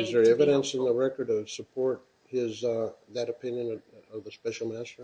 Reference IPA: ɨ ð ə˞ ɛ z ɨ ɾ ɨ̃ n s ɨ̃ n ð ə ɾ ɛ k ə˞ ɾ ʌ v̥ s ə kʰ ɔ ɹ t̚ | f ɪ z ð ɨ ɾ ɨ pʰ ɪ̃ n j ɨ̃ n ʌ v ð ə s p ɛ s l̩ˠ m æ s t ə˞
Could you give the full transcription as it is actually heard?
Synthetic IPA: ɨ z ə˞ ɛ v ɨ ɾ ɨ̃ n s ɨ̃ n ð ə ɹ ɛ k ə˞ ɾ ʌ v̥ s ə pʰ ɔ ɹ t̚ | h ɪ z ð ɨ ɾ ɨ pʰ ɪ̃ n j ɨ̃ n ʌ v ð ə s p ɛ ʃ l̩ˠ m æ s t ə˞

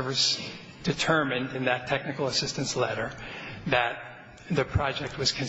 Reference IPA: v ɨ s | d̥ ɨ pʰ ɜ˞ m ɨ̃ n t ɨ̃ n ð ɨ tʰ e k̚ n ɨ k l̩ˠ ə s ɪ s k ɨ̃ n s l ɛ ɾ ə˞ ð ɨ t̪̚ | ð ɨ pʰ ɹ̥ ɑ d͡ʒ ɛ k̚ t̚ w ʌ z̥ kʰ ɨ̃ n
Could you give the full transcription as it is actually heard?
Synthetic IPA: v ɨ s | d̥ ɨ tʰ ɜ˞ m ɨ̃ n d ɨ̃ n ð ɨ tʰ ɛ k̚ n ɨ k l̩ˠ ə s ɪ s t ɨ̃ n s l ɛ ɾ ə˞ ð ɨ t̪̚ | ð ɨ pʰ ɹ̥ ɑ d͡ʒ ɛ k̚ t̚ w ʌ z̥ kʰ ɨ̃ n

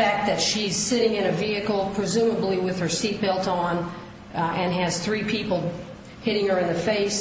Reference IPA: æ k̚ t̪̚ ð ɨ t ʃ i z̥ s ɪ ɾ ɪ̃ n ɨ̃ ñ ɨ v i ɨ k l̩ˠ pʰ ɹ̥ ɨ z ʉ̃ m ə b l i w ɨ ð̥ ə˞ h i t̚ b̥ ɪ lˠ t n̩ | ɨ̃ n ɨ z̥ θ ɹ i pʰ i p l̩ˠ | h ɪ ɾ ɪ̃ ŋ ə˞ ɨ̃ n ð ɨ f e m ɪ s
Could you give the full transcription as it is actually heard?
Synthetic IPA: æ k̚ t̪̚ ð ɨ t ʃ i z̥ s ɪ ɾ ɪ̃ ŋ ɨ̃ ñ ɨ v i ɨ k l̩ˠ pʰ ɹ̥ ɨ z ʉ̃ m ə b l i w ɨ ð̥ ə˞ s i t̚ b̥ ɪ lˠ t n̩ | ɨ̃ n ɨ z̥ θ ɹ i pʰ i p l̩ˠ | h ɪ ɾ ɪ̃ ŋ ə˞ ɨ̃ n ð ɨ f e ɪ s

